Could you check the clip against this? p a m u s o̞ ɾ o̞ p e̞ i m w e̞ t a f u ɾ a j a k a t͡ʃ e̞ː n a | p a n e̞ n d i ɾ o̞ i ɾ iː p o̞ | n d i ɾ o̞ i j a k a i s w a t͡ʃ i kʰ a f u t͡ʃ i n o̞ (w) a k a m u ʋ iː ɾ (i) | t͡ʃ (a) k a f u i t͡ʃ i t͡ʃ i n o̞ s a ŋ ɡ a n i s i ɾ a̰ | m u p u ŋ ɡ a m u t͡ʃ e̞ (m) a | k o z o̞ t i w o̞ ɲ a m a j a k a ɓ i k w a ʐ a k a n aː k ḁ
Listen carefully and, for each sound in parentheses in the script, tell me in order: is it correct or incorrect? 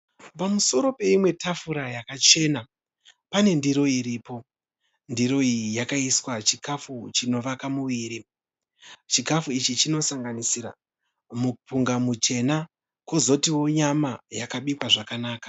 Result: incorrect, correct, incorrect, incorrect

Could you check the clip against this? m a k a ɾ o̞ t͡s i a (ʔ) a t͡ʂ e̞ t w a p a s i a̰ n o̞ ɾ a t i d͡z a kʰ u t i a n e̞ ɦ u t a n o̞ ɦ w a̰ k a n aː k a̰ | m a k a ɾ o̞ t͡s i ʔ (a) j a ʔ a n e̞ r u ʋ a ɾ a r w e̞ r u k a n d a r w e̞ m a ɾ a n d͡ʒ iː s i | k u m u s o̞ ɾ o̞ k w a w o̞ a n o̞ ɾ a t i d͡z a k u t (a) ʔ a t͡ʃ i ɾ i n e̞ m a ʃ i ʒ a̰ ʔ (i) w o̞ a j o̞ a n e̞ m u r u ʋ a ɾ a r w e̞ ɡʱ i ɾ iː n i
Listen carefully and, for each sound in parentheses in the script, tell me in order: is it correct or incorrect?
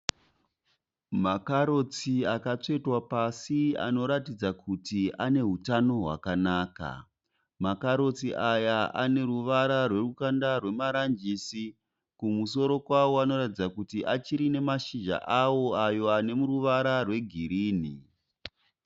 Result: incorrect, correct, incorrect, incorrect

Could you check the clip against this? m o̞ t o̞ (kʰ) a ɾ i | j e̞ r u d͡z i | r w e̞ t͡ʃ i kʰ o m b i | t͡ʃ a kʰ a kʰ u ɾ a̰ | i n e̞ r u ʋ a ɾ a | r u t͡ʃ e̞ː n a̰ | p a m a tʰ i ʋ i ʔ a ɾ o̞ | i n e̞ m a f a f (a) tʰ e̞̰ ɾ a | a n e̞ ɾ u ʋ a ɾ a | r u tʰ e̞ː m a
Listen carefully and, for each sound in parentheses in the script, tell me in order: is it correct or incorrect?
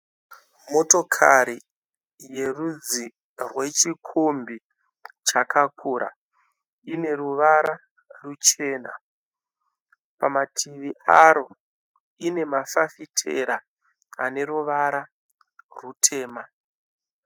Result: correct, incorrect

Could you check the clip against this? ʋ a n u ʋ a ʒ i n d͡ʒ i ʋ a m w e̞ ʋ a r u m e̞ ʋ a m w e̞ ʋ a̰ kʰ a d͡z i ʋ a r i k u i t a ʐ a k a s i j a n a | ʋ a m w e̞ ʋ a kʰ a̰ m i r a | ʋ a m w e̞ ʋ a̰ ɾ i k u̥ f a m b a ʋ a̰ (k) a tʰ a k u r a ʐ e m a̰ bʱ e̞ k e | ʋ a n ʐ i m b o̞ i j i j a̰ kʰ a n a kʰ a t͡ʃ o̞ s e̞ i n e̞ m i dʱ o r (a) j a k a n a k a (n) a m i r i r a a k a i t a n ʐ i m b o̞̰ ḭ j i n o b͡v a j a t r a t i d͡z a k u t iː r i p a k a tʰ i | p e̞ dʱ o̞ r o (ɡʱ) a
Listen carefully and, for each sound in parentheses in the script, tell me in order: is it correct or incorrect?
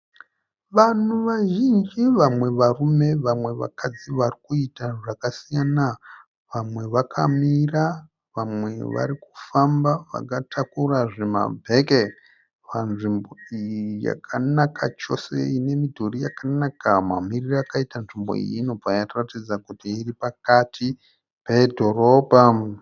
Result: correct, incorrect, incorrect, incorrect

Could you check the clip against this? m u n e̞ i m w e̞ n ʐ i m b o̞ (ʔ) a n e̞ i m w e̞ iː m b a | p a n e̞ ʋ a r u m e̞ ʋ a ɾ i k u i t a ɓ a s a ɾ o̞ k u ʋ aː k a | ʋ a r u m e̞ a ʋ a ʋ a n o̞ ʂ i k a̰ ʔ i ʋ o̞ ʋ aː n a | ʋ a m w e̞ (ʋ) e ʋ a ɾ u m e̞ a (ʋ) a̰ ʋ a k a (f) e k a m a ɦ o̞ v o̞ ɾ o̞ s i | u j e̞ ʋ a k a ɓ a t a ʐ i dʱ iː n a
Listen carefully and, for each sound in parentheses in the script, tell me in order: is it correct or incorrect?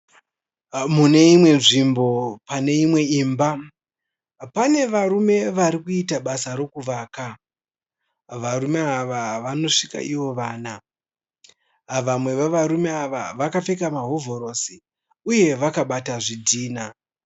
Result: incorrect, correct, correct, correct

